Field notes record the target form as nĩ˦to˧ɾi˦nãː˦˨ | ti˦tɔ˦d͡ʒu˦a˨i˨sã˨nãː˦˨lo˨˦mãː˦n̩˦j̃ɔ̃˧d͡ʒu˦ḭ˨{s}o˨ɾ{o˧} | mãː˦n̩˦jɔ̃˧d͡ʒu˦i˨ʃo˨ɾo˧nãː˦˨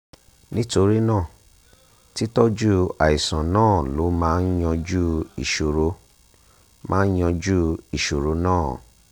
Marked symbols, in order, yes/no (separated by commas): no, yes